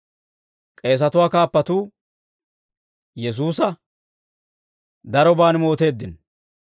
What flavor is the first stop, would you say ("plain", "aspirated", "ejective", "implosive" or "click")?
ejective